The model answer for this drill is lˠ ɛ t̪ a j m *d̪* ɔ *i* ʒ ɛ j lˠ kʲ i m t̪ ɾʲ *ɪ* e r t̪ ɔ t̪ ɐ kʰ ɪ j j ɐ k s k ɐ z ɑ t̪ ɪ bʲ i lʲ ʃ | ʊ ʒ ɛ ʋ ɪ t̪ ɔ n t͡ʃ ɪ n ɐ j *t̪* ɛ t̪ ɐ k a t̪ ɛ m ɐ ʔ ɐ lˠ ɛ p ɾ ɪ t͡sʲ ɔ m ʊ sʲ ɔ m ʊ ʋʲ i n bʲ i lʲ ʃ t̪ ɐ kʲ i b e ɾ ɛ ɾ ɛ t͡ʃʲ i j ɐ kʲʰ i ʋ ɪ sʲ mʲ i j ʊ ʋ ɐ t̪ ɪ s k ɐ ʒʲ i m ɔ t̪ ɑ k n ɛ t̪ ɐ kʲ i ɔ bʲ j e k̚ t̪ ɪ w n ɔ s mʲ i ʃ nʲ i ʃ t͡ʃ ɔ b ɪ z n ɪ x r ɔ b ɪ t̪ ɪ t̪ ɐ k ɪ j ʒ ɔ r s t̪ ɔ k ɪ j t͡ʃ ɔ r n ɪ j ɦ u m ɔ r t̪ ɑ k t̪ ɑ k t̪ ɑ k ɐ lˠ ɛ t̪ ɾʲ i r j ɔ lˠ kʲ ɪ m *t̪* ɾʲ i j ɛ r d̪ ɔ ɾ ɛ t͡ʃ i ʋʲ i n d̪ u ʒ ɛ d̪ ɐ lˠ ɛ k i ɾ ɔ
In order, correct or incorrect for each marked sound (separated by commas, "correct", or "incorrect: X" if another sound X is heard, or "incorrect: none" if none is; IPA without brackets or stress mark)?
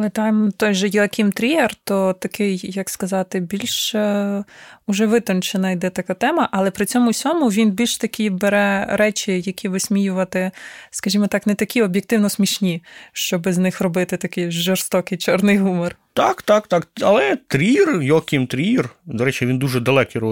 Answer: incorrect: t̪, incorrect: j, incorrect: i, incorrect: d̪, correct